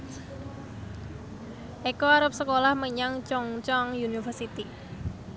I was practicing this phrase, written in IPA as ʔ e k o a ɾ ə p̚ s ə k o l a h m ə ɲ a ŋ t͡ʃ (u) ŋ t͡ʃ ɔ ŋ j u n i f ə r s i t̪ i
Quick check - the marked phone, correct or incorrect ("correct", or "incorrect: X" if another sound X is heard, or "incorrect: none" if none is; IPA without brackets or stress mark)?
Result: incorrect: ɔ